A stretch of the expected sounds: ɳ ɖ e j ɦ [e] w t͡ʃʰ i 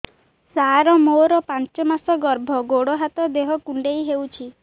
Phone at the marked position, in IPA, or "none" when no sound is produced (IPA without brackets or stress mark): e